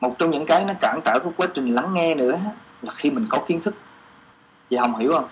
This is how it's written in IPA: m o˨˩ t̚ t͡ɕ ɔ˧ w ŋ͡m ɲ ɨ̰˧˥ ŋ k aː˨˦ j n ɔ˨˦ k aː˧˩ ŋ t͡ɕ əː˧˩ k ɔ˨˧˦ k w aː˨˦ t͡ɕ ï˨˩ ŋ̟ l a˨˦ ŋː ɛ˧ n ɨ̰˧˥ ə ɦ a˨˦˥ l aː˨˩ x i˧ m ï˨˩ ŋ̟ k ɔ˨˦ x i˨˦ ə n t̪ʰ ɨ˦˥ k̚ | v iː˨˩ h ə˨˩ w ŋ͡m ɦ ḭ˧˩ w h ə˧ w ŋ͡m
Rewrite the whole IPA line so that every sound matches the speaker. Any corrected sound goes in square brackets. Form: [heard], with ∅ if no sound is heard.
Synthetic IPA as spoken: m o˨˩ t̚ t͡ɕ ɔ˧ w ŋ͡m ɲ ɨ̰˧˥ ŋ k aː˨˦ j n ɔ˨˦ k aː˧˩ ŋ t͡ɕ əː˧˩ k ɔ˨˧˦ k w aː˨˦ t͡ɕ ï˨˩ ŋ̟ l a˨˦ ŋː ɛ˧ n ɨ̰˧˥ ə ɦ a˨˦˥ l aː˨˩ x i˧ m ï˨˩ ŋ̟ k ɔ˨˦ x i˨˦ ə n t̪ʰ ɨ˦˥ k̚ | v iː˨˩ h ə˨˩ w ŋ͡m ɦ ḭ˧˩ w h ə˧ w ŋ͡m